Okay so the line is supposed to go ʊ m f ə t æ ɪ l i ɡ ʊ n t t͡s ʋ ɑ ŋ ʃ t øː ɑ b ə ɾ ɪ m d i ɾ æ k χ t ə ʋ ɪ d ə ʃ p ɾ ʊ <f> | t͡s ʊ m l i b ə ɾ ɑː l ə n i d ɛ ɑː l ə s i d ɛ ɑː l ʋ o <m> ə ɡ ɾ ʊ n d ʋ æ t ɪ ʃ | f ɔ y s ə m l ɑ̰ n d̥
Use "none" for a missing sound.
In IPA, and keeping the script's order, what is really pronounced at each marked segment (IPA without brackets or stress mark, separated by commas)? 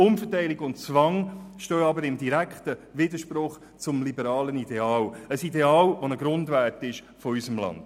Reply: χ, n